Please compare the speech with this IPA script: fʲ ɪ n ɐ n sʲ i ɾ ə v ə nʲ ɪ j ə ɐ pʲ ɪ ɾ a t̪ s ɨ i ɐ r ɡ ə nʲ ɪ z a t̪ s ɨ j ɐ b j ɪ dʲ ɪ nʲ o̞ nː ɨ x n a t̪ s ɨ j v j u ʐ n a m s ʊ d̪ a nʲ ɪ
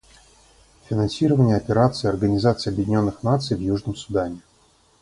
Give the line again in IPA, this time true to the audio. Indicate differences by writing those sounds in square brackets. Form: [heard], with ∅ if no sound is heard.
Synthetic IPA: fʲ ɪ n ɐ n sʲ i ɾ ə v ə nʲ ɪ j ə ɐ pʲ ɪ ɾ a t̪ s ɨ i ɐ r ɡ ə nʲ ɪ z a t̪ s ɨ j ɐ b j ɪ dʲ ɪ nʲ o̞ nː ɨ x n a t̪ s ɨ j v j u ʐ n [ə] m s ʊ d̪ a nʲ ɪ

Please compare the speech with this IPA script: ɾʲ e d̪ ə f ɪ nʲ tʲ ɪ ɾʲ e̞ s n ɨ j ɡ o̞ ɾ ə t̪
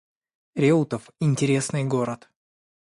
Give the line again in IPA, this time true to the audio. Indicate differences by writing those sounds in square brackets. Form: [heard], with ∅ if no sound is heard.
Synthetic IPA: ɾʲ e [t̪] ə f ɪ nʲ tʲ ɪ ɾʲ e̞ s n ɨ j ɡ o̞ ɾ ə t̪

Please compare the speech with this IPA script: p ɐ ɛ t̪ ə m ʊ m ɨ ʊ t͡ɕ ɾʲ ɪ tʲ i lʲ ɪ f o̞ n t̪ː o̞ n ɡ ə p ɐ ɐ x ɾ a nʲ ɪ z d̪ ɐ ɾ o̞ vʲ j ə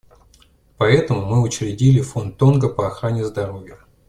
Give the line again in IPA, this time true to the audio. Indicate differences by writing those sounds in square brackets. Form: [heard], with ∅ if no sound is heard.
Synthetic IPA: p ɐ ɛ t̪ ə m ʊ m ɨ ʊ t͡ɕ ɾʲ ɪ [dʲ] i lʲ ɪ f o̞ n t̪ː o̞ n ɡ ə p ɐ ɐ x ɾ a nʲ ɪ z d̪ ɐ ɾ o̞ vʲ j ə

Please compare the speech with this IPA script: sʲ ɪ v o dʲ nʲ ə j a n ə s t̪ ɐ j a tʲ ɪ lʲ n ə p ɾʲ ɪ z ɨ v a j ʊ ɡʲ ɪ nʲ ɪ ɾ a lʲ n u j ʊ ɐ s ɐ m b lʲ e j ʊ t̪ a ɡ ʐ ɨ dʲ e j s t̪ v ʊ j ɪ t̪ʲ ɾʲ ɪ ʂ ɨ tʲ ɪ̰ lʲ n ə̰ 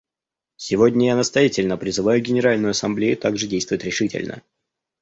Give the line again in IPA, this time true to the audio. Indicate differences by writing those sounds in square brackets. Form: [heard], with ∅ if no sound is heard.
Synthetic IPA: sʲ ɪ v o dʲ nʲ ə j a n ə s t̪ ɐ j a tʲ ɪ lʲ n ə p ɾʲ ɪ z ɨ v a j ʊ ɡʲ ɪ nʲ ɪ ɾ a lʲ n [ʊ] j ʊ ɐ s ɐ m b lʲ e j ʊ t̪ a ɡ ʐ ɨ dʲ e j s t̪ v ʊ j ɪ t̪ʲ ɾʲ ɪ ʂ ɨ tʲ ɪ̰ lʲ n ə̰

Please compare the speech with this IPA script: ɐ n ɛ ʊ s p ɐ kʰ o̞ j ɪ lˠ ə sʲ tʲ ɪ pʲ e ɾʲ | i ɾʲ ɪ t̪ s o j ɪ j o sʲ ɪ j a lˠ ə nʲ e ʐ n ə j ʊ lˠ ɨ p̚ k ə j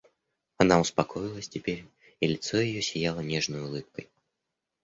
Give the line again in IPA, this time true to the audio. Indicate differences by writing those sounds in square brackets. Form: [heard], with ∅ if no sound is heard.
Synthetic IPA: ɐ n [a] ʊ s p ɐ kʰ o̞ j ɪ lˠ ə sʲ tʲ ɪ pʲ e ɾʲ | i [lʲ] ɪ t̪ s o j ɪ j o sʲ ɪ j a lˠ ə nʲ e ʐ n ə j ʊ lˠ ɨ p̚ k ə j

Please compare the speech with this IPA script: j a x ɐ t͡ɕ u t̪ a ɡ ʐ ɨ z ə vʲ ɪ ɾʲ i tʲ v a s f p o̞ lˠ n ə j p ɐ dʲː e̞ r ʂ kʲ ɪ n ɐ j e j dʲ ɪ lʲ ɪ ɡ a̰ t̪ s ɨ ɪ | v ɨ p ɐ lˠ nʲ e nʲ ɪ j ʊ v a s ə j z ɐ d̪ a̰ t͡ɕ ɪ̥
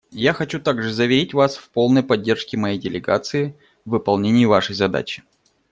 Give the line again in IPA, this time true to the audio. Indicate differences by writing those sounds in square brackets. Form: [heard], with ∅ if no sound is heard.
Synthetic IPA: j a x ɐ t͡ɕ u t̪ a ɡ ʐ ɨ z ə vʲ ɪ ɾʲ i tʲ v a s f p o̞ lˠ n ə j p ɐ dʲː e̞ r ʂ kʲ ɪ [m] ɐ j e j dʲ ɪ lʲ ɪ ɡ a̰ t̪ s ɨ ɪ | v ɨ p ɐ lˠ nʲ e nʲ ɪ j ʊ v a [ʂ] ə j z ɐ d̪ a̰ t͡ɕ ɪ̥

